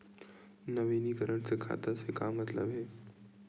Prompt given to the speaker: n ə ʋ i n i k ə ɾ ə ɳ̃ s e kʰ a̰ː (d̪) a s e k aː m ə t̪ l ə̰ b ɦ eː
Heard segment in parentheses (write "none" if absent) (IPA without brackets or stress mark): t̪